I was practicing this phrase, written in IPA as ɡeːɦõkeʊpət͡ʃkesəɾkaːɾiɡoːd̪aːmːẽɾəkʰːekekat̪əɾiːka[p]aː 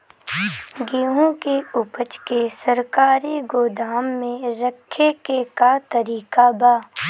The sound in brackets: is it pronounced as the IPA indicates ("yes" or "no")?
no